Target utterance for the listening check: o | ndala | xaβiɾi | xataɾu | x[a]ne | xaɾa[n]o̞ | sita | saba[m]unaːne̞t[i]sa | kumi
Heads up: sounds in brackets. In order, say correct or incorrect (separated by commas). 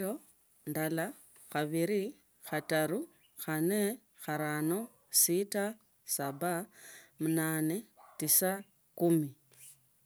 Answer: correct, correct, correct, correct